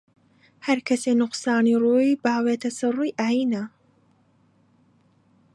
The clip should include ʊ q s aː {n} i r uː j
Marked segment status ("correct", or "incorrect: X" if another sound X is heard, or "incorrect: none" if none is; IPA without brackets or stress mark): correct